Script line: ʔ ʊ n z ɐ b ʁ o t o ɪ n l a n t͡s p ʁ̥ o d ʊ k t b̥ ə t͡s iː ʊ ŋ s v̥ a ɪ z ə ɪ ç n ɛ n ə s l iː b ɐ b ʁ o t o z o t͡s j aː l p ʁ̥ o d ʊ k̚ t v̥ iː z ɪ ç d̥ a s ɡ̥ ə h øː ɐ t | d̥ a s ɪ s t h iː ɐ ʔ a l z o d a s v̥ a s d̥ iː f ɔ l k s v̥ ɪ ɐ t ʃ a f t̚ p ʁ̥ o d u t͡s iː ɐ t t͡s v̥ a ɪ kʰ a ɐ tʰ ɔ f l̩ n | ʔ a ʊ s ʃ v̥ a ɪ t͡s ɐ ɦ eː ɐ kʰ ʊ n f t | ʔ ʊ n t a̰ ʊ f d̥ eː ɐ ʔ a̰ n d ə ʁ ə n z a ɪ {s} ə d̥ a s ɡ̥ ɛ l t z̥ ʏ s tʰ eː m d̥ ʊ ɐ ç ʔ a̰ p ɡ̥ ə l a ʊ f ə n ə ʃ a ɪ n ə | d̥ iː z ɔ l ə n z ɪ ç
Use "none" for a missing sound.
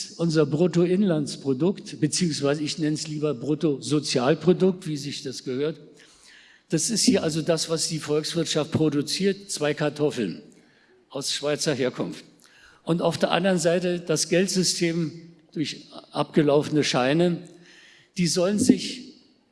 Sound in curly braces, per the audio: t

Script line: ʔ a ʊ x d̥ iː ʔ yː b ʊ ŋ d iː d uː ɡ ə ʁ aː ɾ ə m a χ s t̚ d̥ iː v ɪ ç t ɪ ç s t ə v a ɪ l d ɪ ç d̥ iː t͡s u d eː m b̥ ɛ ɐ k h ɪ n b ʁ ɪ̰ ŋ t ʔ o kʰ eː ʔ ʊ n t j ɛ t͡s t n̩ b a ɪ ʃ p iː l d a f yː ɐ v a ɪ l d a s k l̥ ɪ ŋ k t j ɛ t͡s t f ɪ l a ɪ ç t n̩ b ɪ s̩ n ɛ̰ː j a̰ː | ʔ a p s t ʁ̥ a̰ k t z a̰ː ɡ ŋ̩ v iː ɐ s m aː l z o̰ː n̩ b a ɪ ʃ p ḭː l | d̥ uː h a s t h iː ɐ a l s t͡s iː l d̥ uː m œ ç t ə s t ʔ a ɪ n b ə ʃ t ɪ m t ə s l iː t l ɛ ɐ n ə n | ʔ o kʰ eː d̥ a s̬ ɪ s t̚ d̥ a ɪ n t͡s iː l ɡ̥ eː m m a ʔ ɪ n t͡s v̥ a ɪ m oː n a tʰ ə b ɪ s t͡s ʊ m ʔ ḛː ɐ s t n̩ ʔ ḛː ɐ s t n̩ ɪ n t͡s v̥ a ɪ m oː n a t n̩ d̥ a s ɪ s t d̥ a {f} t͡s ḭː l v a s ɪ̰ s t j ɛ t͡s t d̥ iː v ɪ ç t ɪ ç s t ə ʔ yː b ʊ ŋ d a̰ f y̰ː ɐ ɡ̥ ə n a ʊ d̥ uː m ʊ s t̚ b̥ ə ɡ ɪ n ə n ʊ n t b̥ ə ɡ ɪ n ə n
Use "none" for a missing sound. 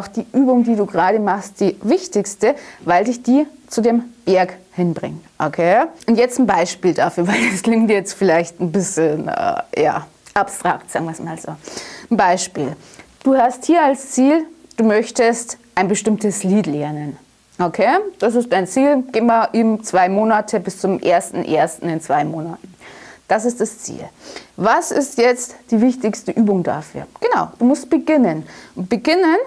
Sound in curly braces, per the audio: s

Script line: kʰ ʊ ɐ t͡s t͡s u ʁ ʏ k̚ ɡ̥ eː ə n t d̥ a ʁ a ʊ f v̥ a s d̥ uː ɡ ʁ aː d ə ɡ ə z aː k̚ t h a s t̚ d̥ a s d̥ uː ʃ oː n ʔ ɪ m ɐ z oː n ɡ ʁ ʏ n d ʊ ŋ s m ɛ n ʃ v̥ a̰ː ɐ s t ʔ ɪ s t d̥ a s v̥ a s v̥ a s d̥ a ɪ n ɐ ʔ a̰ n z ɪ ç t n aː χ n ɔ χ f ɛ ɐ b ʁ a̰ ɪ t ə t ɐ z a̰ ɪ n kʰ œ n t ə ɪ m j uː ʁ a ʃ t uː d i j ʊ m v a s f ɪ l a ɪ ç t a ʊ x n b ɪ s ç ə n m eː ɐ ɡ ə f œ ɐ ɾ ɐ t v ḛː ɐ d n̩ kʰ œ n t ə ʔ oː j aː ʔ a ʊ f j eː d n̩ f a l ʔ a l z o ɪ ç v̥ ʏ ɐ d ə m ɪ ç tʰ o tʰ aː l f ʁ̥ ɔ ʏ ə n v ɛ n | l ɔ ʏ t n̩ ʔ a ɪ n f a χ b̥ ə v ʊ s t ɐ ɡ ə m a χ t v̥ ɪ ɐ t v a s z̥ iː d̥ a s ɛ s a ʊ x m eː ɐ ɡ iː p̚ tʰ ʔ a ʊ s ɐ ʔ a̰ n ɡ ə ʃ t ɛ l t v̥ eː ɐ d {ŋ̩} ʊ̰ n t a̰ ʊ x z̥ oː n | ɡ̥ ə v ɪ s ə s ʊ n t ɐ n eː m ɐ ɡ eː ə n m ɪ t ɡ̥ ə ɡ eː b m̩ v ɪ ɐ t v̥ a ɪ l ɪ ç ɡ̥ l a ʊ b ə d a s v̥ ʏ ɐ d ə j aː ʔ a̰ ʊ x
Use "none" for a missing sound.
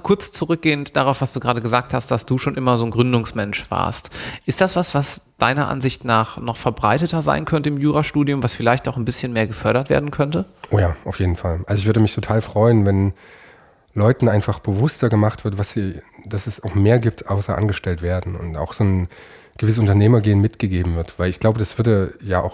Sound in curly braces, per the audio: n̩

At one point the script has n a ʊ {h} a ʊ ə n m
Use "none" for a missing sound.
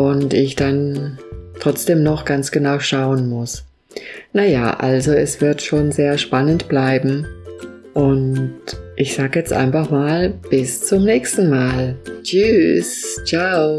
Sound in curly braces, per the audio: ʃ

